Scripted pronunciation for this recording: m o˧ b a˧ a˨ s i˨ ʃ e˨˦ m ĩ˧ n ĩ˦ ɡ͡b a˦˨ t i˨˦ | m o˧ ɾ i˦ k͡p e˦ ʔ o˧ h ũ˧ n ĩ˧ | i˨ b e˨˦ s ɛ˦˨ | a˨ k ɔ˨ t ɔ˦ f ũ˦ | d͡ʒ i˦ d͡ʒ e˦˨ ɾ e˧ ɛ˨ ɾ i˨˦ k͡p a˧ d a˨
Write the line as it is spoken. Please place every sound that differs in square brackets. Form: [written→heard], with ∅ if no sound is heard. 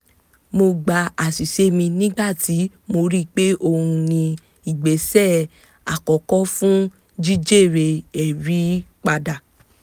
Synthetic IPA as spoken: m o˧ [b→ɡ͡b] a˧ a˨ s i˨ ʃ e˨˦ m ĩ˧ n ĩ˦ ɡ͡b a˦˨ t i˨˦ | m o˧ ɾ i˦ k͡p e˦ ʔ o˧ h ũ˧ n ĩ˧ | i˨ [b→ɡ͡b] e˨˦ s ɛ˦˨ | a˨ k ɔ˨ [t→k] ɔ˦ f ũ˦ | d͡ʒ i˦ d͡ʒ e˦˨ ɾ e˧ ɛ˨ ɾ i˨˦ k͡p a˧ d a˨

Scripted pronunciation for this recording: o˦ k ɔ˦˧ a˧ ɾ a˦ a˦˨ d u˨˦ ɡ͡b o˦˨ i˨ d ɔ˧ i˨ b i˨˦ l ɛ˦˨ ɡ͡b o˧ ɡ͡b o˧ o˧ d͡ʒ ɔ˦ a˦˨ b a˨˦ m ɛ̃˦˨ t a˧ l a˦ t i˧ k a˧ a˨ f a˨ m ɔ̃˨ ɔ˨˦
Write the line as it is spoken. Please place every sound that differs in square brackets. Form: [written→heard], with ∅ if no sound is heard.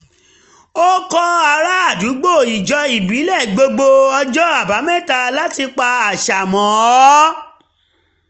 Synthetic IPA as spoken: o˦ k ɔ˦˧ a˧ ɾ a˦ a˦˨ d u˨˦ ɡ͡b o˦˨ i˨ [d→d͡ʒ] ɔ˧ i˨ b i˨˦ l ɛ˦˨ ɡ͡b o˧ ɡ͡b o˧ [o˧→ɔ˧] d͡ʒ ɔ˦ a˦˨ b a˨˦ m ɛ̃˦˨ t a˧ l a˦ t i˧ [k→k͡p] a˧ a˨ [f→ʃ] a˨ m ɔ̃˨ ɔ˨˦

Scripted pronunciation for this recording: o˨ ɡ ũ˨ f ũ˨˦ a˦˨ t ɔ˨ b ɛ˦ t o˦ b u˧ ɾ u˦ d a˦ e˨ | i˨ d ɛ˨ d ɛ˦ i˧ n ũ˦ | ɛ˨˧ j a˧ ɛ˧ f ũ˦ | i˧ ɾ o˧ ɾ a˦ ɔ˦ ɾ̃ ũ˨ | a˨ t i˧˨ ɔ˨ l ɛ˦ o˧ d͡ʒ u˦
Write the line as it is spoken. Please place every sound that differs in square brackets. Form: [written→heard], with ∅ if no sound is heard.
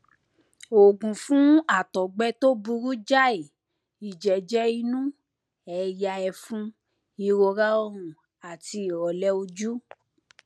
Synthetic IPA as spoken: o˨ ɡ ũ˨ f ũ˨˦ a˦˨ t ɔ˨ [b→ɡ͡b] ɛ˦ t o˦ b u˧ ɾ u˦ [d→d͡ʒ] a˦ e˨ | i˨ [d→d͡ʒ] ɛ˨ [d→d͡ʒ] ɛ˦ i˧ n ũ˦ | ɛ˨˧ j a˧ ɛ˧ f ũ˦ | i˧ ɾ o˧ ɾ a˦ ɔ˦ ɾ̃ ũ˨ | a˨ t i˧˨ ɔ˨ l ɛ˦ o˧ d͡ʒ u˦

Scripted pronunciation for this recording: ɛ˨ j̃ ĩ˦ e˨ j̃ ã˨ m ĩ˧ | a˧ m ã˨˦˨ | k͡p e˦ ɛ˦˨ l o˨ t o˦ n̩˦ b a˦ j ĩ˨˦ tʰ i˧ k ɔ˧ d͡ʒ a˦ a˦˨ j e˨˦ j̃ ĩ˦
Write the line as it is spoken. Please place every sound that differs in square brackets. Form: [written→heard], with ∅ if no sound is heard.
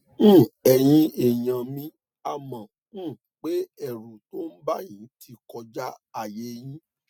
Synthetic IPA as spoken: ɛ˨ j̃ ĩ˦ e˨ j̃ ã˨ m ĩ˧ | a˧ m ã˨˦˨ | k͡p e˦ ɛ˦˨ [l→ɾ] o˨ t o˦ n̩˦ b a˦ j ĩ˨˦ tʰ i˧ k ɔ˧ d͡ʒ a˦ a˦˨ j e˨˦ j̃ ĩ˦

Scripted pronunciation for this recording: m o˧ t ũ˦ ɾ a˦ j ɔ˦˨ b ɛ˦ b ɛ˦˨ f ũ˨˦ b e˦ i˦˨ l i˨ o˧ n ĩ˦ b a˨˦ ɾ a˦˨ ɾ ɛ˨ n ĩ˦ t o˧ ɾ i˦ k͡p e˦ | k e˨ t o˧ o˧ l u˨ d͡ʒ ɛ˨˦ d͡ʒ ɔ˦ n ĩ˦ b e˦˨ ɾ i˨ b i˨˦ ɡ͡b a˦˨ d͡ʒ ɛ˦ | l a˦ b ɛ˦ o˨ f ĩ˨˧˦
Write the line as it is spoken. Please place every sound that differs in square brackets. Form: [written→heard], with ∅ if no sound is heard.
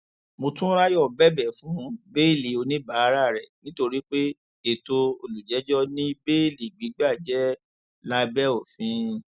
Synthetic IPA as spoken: m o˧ t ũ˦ ɾ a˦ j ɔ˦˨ b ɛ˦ b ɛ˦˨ f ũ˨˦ b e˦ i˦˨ l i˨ o˧ n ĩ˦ b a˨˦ ɾ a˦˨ ɾ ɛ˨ n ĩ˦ t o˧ ɾ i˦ k͡p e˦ | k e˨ t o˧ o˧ l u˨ d͡ʒ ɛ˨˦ d͡ʒ ɔ˦ n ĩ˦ b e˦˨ [ɾ→l] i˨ [b→ɡ͡b] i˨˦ ɡ͡b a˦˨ d͡ʒ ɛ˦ | l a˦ b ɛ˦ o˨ f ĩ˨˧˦

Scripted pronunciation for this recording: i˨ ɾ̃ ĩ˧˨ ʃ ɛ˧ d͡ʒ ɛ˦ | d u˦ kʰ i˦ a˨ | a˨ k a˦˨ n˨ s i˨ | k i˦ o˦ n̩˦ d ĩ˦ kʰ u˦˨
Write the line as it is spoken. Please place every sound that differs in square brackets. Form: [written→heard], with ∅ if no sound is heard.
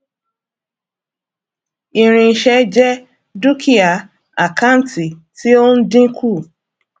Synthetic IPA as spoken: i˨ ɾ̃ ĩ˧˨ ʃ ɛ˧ d͡ʒ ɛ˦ | d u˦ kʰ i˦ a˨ | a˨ k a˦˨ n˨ [s→t] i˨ | [k→t] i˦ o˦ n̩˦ d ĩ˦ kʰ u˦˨

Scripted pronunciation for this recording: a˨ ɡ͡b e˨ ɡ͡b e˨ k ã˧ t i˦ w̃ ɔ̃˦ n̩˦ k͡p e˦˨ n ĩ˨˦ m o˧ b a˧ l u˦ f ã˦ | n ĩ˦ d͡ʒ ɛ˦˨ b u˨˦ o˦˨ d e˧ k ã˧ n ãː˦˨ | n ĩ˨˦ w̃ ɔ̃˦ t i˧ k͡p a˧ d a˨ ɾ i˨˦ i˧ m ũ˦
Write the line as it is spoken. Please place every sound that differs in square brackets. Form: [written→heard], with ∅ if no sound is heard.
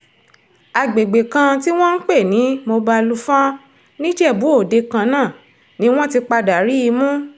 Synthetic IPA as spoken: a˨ ɡ͡b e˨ ɡ͡b e˨ k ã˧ t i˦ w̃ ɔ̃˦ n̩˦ k͡p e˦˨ n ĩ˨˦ m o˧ b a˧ l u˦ f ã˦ | n ĩ˦ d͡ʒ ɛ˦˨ b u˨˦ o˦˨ d e˧ k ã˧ n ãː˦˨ | n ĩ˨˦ w̃ ɔ̃˦ t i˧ k͡p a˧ d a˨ ɾ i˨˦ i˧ m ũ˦

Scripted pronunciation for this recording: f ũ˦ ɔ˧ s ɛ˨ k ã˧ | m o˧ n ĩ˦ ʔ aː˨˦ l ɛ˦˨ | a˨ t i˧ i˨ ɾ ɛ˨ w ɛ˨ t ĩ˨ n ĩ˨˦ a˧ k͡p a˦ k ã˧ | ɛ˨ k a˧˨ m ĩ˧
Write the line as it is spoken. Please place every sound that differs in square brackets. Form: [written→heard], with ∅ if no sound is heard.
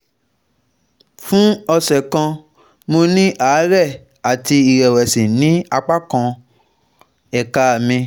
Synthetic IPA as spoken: f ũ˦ ɔ˧ s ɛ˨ k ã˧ | m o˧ n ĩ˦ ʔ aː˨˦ [l→ɾ] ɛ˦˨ | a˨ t i˧ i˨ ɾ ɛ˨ w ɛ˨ [t→s] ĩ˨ n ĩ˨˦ a˧ k͡p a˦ k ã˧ | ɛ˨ k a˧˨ m ĩ˧

